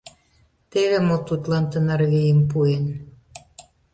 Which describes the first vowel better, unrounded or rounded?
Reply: unrounded